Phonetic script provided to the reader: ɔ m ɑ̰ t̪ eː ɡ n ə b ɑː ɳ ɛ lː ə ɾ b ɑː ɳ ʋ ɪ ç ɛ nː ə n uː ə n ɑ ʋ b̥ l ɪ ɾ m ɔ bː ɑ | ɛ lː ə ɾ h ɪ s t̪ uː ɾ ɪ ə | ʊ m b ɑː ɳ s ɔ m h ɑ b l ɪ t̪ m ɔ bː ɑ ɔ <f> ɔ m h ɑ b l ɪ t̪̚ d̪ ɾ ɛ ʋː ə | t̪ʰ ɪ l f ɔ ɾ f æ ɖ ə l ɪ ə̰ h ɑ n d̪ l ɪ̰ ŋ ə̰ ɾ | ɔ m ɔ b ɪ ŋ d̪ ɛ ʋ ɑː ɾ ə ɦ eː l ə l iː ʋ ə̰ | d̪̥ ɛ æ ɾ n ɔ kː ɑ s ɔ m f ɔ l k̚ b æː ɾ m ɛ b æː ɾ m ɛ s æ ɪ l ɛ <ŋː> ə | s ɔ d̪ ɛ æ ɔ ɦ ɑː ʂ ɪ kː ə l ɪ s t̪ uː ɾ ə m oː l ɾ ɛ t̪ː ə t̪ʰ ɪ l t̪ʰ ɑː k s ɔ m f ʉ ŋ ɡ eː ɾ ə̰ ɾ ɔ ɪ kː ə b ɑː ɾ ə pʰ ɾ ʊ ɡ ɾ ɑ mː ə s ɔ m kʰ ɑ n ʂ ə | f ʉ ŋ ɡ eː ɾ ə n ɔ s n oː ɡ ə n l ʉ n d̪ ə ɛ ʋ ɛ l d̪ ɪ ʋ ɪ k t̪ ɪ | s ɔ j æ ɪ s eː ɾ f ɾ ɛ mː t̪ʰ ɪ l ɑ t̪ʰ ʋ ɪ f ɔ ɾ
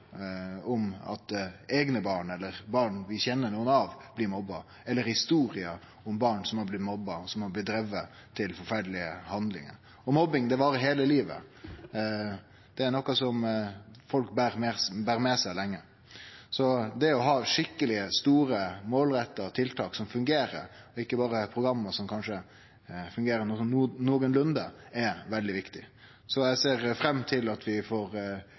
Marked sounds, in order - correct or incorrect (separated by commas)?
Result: incorrect, correct